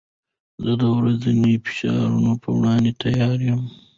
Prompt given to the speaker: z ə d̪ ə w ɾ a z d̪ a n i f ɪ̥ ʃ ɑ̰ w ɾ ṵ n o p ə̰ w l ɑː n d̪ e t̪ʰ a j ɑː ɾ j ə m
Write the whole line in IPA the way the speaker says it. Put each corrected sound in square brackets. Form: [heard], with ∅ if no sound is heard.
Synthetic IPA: z ə d̪ ə w ɾ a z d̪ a n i f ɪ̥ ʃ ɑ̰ [∅] ɾ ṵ n o p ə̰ w [ɽ] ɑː n d̪ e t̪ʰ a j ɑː ɾ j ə m